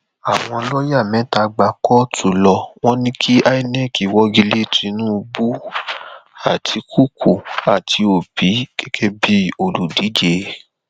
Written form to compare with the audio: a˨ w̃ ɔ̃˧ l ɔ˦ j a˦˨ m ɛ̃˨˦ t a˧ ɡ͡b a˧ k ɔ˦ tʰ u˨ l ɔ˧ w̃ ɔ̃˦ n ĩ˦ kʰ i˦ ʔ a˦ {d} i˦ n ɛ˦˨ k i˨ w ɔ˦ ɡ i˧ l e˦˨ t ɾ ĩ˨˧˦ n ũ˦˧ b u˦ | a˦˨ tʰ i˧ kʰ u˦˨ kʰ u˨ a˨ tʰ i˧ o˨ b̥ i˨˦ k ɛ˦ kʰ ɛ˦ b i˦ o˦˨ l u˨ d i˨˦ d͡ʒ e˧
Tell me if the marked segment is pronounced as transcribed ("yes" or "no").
no